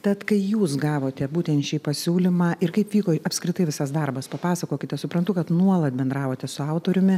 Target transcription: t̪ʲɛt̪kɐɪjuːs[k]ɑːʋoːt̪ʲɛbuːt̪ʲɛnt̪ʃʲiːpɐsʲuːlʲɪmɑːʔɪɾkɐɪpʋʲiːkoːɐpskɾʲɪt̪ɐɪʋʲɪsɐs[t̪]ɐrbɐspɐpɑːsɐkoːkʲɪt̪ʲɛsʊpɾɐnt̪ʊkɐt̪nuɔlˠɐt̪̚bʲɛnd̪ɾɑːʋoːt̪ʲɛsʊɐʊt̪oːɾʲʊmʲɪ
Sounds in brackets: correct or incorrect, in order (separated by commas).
incorrect, incorrect